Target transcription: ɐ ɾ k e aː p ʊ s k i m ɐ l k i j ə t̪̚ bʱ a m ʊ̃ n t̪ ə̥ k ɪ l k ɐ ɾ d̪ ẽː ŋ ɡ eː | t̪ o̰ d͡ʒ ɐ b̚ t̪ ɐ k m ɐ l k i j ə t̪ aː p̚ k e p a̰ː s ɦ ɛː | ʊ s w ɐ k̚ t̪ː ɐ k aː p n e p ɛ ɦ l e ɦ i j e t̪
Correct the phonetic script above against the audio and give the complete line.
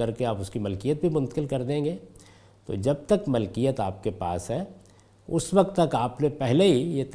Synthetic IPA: ɐ ɾ k e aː p ʊ s k i m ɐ l k i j ə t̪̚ bʱ i m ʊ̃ n t̪ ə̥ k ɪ l k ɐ ɾ d̪ ẽː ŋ ɡ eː | t̪ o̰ d͡ʒ ɐ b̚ t̪ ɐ k m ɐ l k i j ə t̪ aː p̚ k e p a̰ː s ɦ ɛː | ʊ s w ɐ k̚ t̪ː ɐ k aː p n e p ɛ ɦ l e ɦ i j e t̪